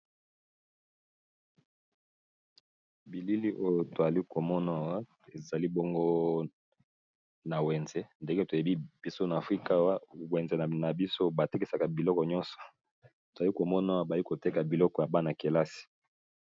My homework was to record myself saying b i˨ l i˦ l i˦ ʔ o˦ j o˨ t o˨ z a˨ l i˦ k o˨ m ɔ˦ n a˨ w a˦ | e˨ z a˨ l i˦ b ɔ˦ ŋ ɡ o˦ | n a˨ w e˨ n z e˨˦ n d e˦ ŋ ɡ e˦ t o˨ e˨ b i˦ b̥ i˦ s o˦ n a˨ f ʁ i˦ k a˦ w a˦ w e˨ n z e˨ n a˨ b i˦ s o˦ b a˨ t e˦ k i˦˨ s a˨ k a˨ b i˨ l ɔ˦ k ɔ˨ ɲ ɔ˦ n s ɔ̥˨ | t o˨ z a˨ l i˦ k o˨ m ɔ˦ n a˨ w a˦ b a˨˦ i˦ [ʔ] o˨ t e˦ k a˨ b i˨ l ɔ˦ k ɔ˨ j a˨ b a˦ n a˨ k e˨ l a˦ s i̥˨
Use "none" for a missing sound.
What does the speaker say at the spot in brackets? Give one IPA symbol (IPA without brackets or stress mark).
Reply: k